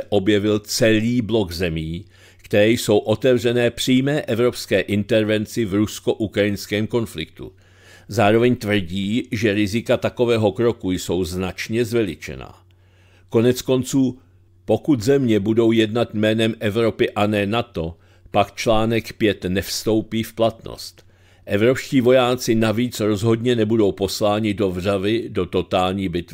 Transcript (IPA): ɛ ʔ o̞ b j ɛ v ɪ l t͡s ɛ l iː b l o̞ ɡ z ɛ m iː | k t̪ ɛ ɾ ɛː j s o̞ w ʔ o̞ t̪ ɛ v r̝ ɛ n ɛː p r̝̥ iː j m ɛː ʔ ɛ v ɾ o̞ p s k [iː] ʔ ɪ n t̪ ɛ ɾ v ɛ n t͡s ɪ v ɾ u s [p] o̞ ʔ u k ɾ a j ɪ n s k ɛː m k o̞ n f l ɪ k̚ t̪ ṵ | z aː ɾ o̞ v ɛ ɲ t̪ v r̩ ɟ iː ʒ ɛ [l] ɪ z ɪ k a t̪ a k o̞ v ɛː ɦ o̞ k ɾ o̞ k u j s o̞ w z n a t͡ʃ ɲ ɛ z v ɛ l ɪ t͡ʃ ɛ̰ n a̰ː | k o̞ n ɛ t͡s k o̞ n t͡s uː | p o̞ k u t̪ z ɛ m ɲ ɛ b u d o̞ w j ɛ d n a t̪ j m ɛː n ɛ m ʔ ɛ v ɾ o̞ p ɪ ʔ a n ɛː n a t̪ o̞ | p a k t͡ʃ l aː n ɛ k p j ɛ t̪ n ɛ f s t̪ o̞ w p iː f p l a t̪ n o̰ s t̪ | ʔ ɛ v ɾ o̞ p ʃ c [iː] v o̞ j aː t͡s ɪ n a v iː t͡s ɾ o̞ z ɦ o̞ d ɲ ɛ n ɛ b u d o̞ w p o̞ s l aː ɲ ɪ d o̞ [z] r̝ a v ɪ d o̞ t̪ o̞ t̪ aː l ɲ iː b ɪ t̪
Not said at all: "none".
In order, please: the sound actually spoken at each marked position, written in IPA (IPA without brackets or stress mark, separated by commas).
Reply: ɛː, k, ɾ, iː, v